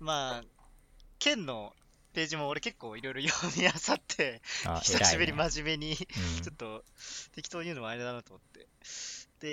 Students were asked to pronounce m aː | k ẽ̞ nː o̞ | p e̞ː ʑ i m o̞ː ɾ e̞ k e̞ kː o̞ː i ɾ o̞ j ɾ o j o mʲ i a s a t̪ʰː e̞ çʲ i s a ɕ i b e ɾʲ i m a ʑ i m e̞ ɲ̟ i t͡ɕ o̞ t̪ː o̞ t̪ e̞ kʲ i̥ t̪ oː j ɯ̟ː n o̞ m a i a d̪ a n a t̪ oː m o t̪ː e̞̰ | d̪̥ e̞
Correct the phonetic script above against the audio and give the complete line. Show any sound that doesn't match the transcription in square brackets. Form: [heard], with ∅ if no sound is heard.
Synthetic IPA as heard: m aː | k ẽ̞ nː o̞ | p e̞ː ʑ i m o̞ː ɾ e̞ k e̞ kː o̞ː i ɾ o̞ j ɾ o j o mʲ i a s a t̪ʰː e̞ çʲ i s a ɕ i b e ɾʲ i m a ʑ i m e̞ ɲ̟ i t͡ɕ o̞ t̪ː o̞ t̪ e̞ kʲ i̥ t̪ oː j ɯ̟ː n o̞ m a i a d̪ a n a t̪ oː m o t̪ː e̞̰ | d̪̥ e̞